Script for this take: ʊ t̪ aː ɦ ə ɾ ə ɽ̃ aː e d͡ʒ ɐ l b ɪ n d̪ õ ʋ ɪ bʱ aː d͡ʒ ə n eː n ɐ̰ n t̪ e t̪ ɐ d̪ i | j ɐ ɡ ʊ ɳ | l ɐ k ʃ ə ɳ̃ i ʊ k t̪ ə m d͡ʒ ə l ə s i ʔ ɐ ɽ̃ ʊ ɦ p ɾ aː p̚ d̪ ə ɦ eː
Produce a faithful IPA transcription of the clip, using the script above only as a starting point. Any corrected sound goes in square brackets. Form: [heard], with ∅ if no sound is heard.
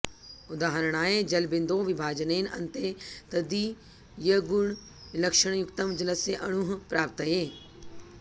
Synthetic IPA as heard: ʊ [d̪] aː ɦ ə ɾ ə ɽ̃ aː e d͡ʒ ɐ l b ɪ n d̪ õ ʋ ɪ bʱ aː d͡ʒ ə n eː n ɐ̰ n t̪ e t̪ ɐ d̪ i | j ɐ ɡ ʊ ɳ | l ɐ k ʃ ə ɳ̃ [j] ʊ k t̪ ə m d͡ʒ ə l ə s [e] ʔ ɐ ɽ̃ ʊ ɦ p ɾ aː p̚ [t̪] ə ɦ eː